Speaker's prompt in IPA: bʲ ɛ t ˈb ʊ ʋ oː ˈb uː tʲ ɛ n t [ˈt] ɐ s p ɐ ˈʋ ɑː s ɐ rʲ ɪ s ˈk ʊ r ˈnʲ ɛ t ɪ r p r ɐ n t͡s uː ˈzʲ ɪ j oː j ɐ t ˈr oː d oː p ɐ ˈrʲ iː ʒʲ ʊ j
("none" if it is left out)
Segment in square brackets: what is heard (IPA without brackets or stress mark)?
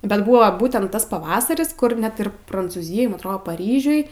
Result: t